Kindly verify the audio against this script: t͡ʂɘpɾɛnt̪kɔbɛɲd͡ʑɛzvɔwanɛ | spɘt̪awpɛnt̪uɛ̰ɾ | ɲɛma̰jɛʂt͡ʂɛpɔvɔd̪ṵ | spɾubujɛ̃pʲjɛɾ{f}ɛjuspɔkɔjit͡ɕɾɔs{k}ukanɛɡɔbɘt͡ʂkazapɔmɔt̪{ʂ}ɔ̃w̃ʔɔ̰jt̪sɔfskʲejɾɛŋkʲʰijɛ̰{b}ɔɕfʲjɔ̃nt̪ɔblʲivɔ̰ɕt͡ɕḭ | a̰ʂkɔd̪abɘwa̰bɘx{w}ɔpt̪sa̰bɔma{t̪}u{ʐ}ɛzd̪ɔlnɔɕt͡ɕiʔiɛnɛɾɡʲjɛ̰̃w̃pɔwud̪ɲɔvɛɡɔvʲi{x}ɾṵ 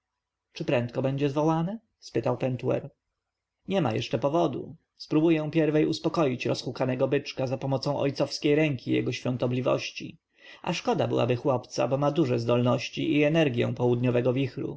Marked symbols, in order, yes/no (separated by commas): no, no, no, no, yes, no, yes, yes